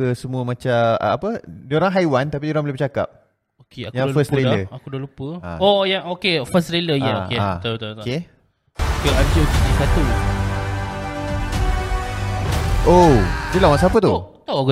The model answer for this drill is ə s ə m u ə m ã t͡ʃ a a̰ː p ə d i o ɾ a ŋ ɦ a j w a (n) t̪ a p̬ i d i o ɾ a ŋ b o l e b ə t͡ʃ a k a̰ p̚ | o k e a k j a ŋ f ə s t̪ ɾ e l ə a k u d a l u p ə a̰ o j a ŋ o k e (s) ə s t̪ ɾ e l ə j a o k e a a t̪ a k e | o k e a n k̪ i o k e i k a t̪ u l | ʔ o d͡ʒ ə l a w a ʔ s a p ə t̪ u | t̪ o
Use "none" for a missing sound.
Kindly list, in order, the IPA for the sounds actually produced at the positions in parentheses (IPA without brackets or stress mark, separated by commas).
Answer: n, f